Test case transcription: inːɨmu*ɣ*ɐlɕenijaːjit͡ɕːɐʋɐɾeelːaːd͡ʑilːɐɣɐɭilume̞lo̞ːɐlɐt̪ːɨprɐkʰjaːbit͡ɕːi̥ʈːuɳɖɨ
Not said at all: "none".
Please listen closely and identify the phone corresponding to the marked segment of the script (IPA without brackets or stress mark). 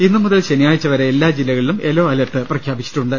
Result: ð